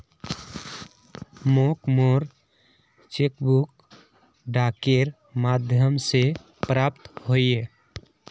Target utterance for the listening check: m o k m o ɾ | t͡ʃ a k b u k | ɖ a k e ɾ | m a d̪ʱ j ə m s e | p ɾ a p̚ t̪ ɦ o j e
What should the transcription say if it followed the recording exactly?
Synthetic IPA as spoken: m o k m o ɾ | t͡ʃ e k b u k | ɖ a k e ɾ | m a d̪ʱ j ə m s e | p ɾ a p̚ t̪ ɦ o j e